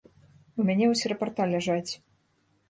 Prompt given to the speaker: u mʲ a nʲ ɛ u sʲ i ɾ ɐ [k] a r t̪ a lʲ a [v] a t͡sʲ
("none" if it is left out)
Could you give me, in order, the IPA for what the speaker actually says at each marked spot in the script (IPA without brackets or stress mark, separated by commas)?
p, ʐ